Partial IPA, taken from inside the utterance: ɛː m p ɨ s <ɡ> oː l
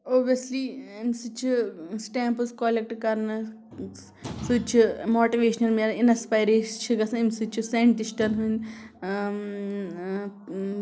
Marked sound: incorrect: k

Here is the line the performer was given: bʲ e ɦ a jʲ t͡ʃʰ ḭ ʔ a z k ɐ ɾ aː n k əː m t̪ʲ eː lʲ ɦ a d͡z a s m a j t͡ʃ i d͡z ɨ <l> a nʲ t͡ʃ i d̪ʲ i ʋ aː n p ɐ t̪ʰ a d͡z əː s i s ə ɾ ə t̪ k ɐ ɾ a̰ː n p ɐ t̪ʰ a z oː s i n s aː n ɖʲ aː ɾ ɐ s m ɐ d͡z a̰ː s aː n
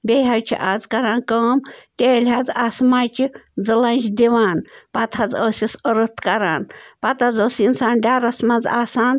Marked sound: correct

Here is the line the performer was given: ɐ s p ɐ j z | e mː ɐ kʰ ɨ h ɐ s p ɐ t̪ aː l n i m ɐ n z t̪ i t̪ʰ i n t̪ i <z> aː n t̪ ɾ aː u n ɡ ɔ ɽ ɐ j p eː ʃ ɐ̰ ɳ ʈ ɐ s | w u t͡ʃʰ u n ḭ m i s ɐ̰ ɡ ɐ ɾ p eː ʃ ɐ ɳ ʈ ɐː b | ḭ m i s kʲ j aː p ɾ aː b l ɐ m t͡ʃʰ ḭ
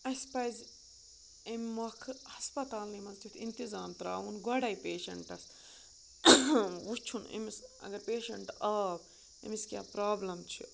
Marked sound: correct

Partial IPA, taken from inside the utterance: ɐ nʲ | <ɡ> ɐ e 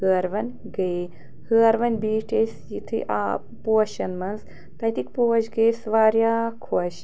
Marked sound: correct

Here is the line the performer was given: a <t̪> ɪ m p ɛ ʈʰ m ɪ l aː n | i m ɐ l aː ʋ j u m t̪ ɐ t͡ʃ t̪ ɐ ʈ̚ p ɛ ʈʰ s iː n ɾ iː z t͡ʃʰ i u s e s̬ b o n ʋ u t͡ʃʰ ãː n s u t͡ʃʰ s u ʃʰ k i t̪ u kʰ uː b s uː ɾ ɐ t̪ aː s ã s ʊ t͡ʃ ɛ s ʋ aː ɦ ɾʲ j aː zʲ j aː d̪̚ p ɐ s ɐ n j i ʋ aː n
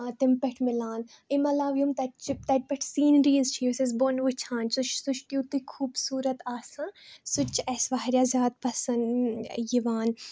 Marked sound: correct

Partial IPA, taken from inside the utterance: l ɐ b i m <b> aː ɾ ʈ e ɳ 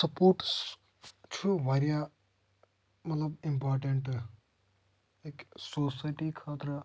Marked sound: incorrect: p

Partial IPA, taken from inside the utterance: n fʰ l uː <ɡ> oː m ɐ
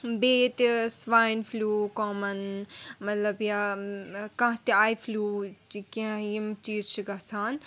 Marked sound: incorrect: k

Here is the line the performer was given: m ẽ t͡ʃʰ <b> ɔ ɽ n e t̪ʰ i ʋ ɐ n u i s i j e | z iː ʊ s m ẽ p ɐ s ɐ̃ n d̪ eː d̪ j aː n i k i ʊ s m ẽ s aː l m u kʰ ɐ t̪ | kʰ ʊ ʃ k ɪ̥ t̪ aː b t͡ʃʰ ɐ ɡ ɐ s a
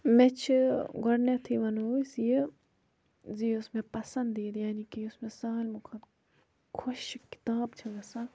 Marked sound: incorrect: ɡ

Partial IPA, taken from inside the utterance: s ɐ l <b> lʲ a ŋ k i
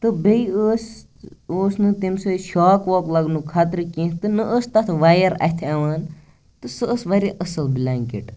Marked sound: correct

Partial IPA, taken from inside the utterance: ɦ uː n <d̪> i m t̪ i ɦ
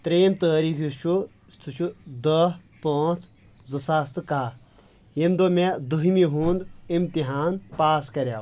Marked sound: correct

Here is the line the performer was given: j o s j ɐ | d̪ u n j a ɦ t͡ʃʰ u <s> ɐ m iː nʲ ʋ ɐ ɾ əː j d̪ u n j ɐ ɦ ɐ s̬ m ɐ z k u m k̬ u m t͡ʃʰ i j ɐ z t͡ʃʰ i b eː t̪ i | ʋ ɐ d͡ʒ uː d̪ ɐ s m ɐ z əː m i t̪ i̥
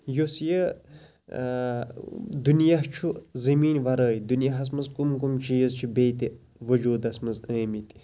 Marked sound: incorrect: z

